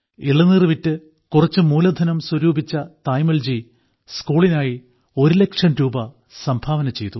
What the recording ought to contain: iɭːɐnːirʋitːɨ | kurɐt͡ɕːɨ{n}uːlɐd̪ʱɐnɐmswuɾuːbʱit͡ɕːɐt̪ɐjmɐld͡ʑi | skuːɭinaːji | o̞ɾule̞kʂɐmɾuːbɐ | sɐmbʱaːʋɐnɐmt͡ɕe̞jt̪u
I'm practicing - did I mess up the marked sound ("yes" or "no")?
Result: yes